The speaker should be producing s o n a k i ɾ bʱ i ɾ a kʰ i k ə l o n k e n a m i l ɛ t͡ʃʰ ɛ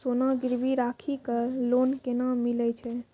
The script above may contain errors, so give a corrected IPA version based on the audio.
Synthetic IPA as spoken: s o n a ɡ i ɾ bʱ i ɾ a kʰ i k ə l o n k e n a m i l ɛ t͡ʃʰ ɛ